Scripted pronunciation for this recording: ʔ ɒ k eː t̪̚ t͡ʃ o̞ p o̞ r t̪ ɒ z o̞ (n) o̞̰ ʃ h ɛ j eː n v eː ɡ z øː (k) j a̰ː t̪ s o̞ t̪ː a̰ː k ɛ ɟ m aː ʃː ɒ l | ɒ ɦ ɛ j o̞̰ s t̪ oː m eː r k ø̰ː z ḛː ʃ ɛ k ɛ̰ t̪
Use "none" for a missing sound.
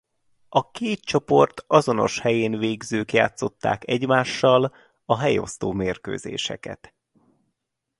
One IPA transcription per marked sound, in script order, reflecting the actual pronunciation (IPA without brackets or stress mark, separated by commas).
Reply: n, k